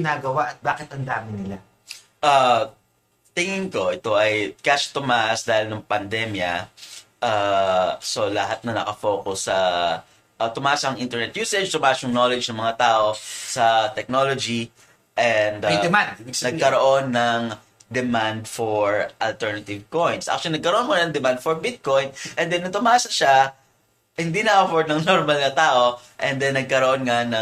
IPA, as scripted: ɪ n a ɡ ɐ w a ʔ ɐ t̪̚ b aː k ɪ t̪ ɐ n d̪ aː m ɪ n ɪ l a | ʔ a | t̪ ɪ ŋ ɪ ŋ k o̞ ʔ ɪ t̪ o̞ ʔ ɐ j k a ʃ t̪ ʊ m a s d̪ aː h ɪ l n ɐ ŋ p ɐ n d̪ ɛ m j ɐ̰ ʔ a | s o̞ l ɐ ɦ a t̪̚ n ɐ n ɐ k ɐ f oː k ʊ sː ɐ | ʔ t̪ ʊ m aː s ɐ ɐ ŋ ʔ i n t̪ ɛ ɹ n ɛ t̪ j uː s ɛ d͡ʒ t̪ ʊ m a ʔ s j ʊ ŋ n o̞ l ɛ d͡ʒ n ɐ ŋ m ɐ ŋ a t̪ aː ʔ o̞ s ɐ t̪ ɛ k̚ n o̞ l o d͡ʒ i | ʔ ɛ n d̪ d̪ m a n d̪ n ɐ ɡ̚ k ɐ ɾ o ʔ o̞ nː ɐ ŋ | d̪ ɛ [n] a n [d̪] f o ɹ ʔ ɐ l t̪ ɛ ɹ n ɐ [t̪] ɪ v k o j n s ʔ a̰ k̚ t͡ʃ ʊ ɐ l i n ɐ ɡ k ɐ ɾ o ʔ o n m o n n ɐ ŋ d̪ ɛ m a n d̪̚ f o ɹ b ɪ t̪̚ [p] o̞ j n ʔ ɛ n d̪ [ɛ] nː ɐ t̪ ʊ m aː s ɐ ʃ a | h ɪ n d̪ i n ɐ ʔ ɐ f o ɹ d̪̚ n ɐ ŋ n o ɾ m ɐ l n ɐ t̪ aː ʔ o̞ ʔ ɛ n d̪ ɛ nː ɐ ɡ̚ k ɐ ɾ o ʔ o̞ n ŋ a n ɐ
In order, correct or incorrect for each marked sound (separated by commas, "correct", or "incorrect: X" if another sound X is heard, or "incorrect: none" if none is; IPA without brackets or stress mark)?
incorrect: m, correct, correct, incorrect: k, correct